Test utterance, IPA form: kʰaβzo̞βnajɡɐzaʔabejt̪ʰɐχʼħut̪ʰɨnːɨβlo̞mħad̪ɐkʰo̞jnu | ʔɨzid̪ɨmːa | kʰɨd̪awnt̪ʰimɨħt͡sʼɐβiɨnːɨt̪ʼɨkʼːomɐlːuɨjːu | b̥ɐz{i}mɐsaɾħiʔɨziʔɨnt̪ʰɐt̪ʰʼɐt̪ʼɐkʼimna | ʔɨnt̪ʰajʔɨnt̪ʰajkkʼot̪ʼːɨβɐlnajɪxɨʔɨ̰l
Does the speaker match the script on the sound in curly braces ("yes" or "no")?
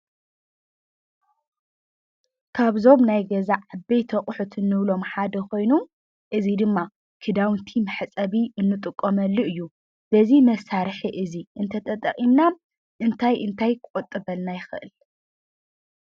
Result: yes